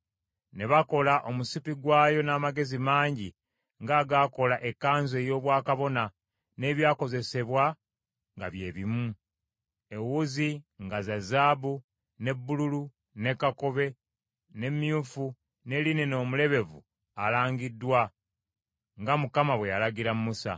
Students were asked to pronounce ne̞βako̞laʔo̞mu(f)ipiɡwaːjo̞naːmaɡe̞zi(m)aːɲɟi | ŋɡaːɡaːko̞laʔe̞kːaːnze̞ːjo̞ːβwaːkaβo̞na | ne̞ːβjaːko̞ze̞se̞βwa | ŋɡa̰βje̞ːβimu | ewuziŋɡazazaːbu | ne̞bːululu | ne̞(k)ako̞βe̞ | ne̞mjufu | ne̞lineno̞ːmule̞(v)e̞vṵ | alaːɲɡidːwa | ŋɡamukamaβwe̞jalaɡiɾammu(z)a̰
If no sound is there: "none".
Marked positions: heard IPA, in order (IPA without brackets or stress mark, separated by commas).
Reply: s, m, k, β, s